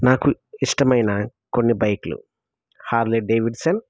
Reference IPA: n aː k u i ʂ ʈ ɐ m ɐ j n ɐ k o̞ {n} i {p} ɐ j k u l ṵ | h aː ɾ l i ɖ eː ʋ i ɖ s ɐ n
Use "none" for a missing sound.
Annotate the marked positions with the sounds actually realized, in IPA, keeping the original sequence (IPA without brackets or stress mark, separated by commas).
nː, b